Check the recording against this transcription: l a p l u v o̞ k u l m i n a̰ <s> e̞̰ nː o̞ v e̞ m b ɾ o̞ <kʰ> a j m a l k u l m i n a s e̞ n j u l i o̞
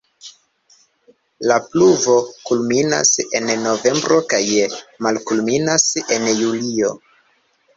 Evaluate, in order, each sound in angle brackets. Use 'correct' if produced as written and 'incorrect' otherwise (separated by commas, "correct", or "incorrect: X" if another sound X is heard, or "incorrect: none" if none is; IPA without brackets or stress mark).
correct, incorrect: k